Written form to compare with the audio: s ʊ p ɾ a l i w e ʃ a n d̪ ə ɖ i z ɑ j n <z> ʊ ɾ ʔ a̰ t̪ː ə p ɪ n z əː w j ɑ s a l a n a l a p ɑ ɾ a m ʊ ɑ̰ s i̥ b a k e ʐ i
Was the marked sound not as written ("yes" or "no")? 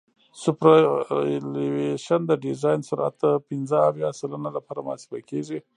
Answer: yes